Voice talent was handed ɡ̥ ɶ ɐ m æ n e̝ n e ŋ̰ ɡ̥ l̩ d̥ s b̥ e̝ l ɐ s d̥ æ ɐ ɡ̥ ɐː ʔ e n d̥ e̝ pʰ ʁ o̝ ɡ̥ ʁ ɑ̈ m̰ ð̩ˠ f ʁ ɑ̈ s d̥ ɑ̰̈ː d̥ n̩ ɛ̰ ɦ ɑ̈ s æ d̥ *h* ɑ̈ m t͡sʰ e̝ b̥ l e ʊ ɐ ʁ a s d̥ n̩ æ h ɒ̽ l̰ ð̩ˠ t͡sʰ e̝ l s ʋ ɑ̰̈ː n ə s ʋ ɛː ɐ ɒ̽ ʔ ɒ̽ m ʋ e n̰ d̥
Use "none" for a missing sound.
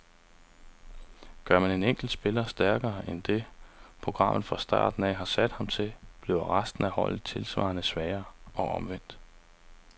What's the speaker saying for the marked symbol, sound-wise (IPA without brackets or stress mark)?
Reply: h